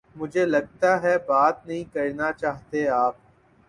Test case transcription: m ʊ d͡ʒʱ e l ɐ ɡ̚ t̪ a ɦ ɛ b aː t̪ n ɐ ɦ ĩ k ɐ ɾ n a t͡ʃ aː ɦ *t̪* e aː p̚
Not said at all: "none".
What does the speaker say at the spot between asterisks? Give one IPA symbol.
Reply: t̪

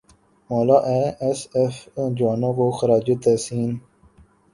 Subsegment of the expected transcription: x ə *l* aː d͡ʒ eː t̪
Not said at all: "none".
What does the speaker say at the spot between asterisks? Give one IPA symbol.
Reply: ɾ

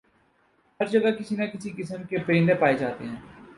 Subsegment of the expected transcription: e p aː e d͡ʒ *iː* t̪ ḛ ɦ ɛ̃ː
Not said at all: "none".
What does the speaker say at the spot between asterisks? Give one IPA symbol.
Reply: aː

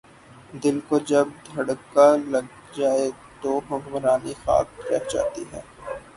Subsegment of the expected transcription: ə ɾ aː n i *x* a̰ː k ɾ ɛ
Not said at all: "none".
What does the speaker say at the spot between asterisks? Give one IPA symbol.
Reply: x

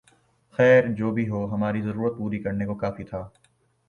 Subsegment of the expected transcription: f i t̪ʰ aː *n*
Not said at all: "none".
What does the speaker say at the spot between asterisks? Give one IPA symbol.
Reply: none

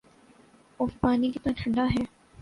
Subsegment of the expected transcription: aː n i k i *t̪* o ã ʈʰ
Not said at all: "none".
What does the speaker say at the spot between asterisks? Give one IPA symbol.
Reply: t̪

